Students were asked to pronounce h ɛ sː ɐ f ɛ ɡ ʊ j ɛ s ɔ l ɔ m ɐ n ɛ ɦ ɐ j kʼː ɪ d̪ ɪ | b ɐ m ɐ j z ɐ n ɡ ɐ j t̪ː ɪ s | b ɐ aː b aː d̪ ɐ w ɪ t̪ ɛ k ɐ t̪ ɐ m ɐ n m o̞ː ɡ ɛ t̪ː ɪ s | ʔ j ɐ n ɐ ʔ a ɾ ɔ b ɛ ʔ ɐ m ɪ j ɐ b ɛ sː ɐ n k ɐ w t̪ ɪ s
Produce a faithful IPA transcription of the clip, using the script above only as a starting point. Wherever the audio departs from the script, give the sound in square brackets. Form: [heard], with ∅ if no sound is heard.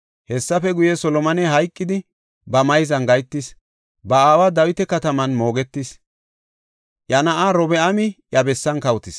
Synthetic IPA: h ɛ sː ɐ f ɛ ɡ ʊ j ɛ s ɔ l ɔ m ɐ n ɛ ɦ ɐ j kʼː ɪ d̪ ɪ | b ɐ m ɐ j z ɐ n ɡ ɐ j t̪ː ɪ s | b ɐ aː [w] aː d̪ ɐ w ɪ t̪ ɛ k ɐ t̪ ɐ m ɐ n m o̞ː ɡ ɛ t̪ː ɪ s | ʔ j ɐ n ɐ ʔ a ɾ ɔ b ɛ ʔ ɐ m ɪ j ɐ b ɛ sː ɐ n k ɐ w t̪ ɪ s